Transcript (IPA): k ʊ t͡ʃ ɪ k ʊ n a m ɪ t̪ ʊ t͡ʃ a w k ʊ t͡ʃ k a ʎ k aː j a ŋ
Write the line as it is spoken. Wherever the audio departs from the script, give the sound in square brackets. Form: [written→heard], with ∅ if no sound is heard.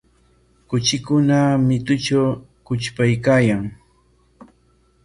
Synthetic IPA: k ʊ t͡ʃ ɪ k ʊ n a m ɪ t̪ ʊ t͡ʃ a w k ʊ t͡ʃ [k→p] a [ʎ→j] k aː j a ŋ